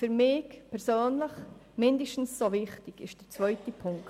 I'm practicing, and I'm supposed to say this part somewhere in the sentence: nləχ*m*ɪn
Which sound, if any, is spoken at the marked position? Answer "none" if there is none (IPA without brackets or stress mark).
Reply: m